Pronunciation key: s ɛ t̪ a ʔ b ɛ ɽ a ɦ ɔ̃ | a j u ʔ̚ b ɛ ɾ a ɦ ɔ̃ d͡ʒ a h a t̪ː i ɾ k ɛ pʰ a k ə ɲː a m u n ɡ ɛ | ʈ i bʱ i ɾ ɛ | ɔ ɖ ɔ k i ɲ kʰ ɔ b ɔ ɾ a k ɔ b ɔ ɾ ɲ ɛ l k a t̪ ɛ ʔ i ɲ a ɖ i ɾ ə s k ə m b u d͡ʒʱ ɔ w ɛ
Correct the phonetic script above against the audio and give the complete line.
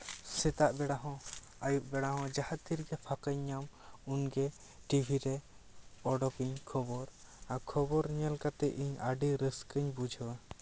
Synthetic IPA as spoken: s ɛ t̪ a ʔ b ɛ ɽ a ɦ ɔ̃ | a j u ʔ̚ b ɛ ɽ a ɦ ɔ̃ d͡ʒ a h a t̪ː i ɾ ɡ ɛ pʰ a k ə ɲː a m u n ɡ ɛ | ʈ i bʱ i ɾ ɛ | ɔ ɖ ɔ k i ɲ kʰ ɔ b ɔ ɾ a kʰ ɔ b ɔ ɾ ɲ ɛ l k a t̪ ɛ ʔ i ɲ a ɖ i ɾ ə s k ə ɲ b u d͡ʒʱ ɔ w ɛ